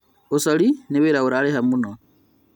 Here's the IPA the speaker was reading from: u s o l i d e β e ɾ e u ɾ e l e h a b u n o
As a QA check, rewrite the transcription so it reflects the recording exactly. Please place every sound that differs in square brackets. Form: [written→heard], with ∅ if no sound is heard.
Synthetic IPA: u s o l i [d→n] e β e ɾ [e→a] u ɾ [e→a] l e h a [b→m] u n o